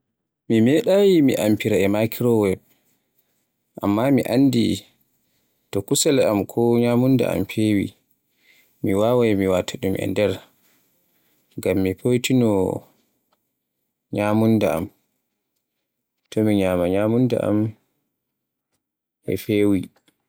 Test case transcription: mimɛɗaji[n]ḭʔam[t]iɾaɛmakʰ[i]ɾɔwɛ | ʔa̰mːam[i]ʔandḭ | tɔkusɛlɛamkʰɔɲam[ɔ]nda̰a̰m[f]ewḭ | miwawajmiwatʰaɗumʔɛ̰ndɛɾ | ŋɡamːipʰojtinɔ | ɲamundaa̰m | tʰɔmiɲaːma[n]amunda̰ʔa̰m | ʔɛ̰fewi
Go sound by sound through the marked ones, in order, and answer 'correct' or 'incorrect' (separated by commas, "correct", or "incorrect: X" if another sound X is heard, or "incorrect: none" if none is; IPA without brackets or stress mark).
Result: incorrect: m, incorrect: p, correct, correct, incorrect: u, correct, incorrect: ɲ